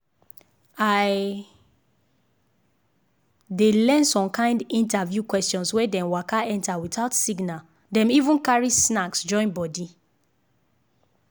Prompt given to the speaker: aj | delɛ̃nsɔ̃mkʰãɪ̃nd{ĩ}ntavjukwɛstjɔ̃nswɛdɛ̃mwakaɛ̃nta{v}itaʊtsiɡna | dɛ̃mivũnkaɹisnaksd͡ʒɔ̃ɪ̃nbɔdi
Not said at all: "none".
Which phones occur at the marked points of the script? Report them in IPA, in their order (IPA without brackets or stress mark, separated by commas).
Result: ĩ, w